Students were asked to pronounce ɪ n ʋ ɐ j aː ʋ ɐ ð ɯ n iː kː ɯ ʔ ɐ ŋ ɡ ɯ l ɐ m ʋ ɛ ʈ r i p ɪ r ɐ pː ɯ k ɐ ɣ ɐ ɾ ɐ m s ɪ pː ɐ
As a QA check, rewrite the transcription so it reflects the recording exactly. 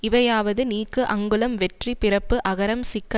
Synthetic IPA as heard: ɪ ʋ ɐ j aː ʋ ɐ ð ɯ n iː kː ɯ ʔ ɐ ŋ ɡ ɯ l ɐ m ʋ ɛ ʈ r i p ɪ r ɐ pː ɯ ʔ ɐ ɣ ɐ ɾ ɐ m s ɪ kː ɐ